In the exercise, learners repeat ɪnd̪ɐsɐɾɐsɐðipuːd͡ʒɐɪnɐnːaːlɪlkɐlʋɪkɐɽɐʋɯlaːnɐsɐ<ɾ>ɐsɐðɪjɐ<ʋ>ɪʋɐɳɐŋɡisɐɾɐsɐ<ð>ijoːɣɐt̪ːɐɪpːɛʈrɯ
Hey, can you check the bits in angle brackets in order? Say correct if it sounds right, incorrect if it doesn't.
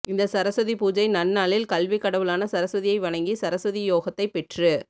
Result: correct, incorrect: none, correct

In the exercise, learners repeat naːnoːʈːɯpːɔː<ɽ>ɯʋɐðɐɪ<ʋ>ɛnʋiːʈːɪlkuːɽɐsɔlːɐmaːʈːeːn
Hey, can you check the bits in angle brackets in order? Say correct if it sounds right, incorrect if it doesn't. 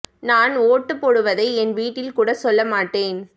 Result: correct, incorrect: none

